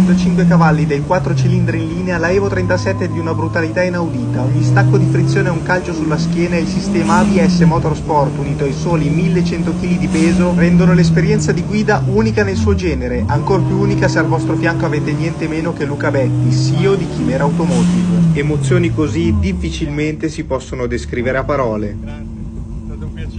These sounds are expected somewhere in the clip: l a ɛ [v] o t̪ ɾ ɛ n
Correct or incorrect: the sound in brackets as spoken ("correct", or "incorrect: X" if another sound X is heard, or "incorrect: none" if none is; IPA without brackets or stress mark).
correct